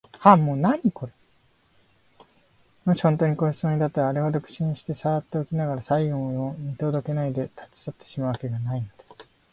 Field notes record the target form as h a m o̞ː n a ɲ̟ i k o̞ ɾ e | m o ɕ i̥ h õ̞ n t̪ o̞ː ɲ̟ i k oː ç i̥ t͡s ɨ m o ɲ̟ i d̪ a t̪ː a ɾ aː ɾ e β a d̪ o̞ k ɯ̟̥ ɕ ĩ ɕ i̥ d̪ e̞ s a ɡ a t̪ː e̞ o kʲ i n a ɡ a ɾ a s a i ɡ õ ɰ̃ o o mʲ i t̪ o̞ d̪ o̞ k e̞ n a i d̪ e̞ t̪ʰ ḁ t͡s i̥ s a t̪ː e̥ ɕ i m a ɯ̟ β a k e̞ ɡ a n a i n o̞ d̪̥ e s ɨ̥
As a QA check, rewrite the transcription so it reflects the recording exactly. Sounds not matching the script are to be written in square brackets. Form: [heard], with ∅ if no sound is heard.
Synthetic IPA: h a m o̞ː n a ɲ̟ i k o̞ ɾ e | m o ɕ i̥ h õ̞ n t̪ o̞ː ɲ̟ i k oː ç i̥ t͡s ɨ m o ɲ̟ i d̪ a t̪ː a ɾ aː ɾ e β a d̪ o̞ k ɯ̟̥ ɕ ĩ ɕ i̥ [t̪] e̞ s a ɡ a t̪ː e̞ o kʲ i n a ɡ a ɾ a s a i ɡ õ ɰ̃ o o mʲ i t̪ o̞ d̪ o̞ k e̞ n a i d̪ e̞ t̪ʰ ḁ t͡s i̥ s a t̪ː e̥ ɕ i m a ɯ̟ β a k e̞ ɡ a n a i n o̞ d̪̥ e s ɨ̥